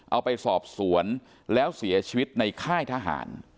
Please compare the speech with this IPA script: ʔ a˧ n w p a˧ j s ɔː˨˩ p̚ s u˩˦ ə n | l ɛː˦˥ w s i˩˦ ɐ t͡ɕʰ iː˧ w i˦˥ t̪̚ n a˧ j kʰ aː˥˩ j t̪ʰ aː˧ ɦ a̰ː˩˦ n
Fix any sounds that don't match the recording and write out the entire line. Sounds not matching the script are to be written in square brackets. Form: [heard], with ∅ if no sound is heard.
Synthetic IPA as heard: ʔ a˧ [∅] w p a˧ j s ɔː˨˩ p̚ s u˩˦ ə n | l ɛː˦˥ w s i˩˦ ɐ t͡ɕʰ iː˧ w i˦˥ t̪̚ n a˧ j kʰ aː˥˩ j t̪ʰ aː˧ ɦ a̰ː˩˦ n

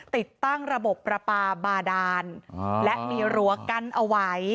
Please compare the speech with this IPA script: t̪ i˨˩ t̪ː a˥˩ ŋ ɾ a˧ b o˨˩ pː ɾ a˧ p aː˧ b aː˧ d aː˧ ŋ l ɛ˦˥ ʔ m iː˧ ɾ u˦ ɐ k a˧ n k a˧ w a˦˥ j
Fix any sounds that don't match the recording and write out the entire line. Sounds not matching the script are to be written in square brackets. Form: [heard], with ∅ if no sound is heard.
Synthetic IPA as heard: t̪ i˨˩ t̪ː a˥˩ ŋ ɾ a˧ b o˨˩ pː ɾ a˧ p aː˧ b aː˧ d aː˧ [n] l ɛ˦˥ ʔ m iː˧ ɾ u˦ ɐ k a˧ n [ʔ] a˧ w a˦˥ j

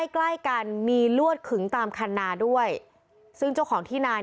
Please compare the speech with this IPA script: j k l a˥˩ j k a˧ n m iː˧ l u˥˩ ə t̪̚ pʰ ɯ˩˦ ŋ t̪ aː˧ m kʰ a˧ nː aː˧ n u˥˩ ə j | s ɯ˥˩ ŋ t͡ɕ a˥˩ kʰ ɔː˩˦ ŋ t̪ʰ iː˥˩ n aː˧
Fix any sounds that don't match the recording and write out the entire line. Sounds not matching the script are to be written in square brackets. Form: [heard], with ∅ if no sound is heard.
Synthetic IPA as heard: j k l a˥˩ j k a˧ n m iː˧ l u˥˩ ə t̪̚ [kʰ] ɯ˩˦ ŋ t̪ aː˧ m kʰ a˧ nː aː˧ [d] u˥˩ ə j | s ɯ˥˩ ŋ t͡ɕ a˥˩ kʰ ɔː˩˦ ŋ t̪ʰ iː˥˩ n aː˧

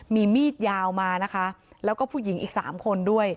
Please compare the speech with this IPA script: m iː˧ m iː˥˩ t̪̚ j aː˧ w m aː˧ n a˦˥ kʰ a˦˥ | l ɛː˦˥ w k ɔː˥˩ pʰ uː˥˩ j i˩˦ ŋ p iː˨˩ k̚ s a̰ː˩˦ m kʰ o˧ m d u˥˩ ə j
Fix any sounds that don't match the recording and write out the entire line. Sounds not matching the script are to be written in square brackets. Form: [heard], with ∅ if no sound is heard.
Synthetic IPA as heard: m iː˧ m iː˥˩ t̪̚ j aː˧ w m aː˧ n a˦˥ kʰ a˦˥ | l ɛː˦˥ w k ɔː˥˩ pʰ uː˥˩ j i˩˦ ŋ [ʔ] iː˨˩ k̚ s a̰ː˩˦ m kʰ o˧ [n] d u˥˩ ə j

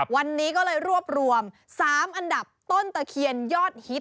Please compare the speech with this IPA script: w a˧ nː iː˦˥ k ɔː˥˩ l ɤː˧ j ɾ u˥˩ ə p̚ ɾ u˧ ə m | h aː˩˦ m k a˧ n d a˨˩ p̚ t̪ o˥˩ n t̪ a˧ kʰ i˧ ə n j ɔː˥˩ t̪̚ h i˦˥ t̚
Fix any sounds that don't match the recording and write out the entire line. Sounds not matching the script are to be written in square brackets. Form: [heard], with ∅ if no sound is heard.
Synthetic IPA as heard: w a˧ nː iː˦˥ k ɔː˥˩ l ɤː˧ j ɾ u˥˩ ə p̚ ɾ u˧ ə m | [s] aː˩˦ m [ʔ] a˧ n d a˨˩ p̚ t̪ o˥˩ n t̪ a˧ kʰ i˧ ə n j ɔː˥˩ t̪̚ h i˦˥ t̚

